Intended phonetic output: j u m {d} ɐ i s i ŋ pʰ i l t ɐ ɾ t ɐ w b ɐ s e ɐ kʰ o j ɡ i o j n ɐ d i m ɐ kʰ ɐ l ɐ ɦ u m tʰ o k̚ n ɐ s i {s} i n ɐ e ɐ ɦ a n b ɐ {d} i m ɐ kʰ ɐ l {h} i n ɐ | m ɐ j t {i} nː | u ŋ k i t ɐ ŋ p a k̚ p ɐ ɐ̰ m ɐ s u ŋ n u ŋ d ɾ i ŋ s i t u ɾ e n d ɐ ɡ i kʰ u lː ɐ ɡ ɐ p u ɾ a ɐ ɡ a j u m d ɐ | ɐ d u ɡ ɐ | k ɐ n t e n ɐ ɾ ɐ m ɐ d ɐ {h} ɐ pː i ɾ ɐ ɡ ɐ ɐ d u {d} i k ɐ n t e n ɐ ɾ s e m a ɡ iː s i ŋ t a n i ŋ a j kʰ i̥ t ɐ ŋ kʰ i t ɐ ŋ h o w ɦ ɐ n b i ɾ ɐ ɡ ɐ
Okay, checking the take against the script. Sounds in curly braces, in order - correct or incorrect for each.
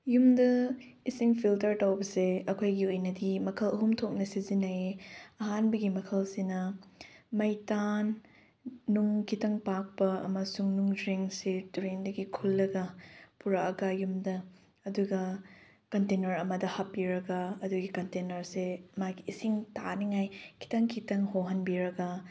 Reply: correct, incorrect: z, incorrect: ɡ, incorrect: s, incorrect: a, correct, incorrect: ɡ

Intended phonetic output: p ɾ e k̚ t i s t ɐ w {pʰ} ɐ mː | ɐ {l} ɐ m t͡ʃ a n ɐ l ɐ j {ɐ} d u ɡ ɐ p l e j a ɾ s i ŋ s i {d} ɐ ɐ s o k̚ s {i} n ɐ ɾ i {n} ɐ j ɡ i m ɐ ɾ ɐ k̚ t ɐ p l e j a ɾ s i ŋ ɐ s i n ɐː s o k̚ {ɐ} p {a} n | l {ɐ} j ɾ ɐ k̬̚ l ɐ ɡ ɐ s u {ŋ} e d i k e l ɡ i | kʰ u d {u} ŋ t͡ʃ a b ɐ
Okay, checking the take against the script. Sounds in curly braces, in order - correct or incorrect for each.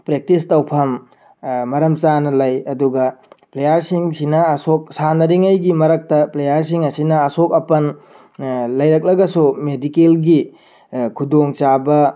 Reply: correct, incorrect: ɾ, correct, incorrect: n, incorrect: a, incorrect: ŋ, correct, incorrect: ɐ, correct, incorrect: m, incorrect: o

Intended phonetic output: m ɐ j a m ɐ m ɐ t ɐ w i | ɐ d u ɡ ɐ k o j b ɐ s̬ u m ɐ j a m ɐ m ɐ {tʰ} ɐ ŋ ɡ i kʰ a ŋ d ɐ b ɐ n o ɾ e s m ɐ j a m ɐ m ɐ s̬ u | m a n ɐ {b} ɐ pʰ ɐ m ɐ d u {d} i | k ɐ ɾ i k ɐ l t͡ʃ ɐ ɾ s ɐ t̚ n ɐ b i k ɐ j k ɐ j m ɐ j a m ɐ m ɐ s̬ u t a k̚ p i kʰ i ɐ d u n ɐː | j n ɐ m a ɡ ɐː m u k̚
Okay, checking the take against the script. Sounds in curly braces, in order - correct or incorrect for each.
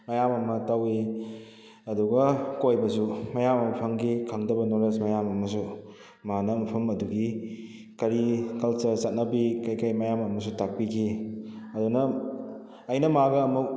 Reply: incorrect: pʰ, incorrect: m, incorrect: ɡ

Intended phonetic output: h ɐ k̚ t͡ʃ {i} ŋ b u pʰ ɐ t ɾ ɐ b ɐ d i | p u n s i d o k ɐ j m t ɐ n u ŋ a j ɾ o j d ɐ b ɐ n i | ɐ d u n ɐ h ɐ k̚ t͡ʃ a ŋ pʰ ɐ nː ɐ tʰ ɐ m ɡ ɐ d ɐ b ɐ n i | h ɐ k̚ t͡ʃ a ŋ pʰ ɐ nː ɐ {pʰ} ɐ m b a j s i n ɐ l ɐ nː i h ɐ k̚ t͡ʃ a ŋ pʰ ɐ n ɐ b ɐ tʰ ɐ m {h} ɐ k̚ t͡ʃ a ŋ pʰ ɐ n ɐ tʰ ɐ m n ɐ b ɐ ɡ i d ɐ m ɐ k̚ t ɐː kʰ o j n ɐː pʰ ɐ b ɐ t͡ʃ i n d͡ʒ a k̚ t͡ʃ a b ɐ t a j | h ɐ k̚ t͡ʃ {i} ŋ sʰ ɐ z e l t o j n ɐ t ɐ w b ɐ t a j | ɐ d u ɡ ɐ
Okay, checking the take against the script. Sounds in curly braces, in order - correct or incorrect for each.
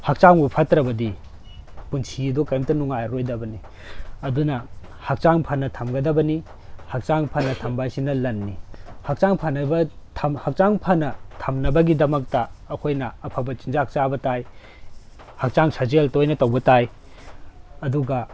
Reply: incorrect: a, incorrect: tʰ, correct, incorrect: a

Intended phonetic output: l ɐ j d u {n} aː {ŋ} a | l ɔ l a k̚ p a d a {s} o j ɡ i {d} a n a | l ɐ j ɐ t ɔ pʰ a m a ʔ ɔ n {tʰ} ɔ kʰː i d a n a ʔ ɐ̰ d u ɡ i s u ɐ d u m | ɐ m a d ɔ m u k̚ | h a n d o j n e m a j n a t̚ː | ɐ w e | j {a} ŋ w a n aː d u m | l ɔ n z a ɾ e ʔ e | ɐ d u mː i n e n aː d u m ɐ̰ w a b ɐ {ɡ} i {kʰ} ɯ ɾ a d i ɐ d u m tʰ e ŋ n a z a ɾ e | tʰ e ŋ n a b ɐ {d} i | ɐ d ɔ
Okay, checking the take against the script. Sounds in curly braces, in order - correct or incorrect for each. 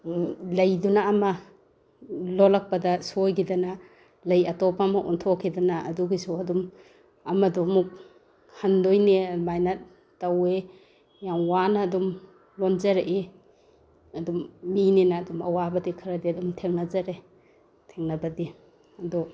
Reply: correct, incorrect: m, correct, correct, correct, correct, incorrect: d, correct, correct

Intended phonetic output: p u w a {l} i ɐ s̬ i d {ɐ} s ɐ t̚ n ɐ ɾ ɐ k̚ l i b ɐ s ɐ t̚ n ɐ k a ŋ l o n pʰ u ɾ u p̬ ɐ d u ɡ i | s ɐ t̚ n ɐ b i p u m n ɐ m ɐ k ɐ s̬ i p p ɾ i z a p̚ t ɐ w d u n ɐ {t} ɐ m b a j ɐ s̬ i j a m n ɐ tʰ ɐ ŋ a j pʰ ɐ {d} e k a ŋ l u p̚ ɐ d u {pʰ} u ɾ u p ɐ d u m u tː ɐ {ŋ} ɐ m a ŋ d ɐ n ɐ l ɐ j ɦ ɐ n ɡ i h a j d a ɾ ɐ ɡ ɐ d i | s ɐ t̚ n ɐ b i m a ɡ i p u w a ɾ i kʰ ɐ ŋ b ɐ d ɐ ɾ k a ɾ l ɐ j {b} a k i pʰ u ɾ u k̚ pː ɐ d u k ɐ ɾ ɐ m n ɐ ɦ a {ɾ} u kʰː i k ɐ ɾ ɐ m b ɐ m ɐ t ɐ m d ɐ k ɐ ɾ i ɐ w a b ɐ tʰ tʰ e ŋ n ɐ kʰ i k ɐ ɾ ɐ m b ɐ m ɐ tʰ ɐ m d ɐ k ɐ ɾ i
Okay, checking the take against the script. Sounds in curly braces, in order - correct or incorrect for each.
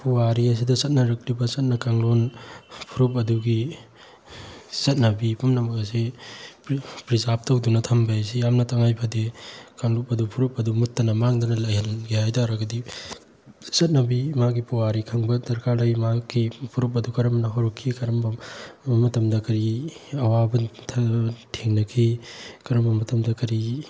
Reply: incorrect: ɾ, correct, incorrect: tʰ, correct, correct, incorrect: n, incorrect: m, correct

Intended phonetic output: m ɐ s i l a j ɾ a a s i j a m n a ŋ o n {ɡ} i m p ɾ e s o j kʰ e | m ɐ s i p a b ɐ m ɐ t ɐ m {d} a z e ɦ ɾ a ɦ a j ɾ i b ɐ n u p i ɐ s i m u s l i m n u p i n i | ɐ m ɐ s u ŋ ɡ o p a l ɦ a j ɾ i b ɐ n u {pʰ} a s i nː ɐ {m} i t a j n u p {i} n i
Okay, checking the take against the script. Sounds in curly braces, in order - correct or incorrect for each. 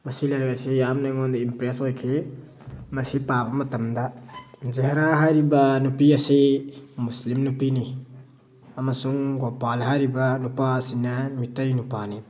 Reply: incorrect: d, correct, incorrect: p, correct, incorrect: a

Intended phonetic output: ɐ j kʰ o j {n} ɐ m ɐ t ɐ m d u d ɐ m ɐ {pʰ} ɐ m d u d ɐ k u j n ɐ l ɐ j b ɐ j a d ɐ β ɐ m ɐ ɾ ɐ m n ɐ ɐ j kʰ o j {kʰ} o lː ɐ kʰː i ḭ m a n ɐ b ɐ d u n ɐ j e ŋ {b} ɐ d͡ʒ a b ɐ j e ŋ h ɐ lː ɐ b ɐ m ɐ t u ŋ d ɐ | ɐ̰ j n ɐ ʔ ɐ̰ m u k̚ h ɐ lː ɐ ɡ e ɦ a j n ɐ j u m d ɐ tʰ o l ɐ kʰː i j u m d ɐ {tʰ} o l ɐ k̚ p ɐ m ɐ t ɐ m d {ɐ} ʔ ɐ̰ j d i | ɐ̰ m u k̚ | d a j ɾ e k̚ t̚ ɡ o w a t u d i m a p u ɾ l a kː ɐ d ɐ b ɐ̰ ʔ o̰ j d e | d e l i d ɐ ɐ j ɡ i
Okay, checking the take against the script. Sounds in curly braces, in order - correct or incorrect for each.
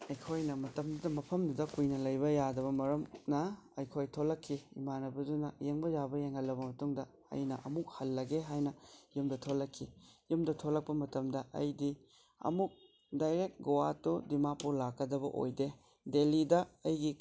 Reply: correct, correct, incorrect: tʰ, correct, correct, correct

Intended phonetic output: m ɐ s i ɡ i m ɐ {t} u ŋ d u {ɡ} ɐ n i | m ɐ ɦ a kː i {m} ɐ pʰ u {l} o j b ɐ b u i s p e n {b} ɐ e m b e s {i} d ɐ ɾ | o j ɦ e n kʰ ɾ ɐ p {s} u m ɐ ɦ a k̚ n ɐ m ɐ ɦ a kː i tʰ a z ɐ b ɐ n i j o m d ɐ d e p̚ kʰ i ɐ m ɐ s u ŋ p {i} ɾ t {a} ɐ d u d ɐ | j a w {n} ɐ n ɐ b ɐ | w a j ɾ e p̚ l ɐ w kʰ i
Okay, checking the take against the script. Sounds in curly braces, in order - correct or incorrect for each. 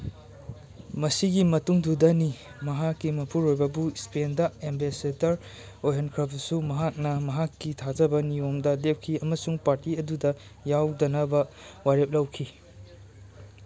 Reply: correct, incorrect: d, correct, incorrect: ɾ, incorrect: d, incorrect: e, correct, incorrect: a, incorrect: i, incorrect: d

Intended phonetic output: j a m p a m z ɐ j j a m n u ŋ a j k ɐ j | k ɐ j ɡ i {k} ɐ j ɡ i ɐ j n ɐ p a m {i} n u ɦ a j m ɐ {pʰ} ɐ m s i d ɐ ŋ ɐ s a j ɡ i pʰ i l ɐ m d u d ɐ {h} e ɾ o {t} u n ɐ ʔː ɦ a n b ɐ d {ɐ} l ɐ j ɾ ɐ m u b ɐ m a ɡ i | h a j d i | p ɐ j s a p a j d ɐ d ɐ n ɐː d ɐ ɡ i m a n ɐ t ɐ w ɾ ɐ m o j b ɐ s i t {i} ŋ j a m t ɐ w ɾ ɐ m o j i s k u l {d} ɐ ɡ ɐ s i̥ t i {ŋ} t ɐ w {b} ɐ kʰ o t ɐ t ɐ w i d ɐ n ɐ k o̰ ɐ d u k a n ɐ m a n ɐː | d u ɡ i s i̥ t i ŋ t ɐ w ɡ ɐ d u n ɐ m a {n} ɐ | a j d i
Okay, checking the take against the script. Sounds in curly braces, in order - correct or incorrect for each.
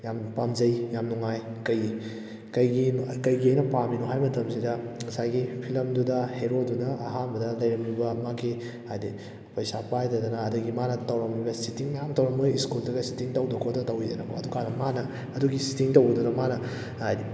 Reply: correct, correct, incorrect: tʰ, correct, incorrect: d, correct, correct, correct, correct, incorrect: d, correct

